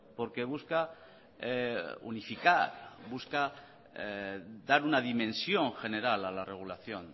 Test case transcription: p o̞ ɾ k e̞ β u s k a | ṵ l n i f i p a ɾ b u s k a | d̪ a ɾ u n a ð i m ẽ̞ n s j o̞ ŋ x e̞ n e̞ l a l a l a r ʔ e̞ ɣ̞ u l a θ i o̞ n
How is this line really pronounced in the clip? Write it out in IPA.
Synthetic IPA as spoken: p o̞ ɾ k e̞ β u s k a | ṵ n i f i k a ɾ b u s k a | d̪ a ɾ u n a ð i m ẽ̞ n s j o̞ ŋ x e̞ n e̞ ɾ a l a l a r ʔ e̞ ɣ̞ u l a θ j o̞ n